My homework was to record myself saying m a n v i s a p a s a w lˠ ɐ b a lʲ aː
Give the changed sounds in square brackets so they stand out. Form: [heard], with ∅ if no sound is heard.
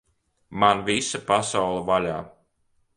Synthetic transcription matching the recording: m a n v i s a p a s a w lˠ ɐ [v] a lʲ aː